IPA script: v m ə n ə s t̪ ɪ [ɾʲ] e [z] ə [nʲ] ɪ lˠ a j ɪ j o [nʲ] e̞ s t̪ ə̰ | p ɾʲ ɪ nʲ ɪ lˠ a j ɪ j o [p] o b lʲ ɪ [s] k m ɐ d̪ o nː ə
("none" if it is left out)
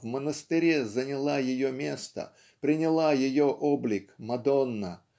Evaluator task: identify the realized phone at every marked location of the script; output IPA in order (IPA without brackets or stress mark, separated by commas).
ɾʲ, z, nʲ, mʲ, ʔ, none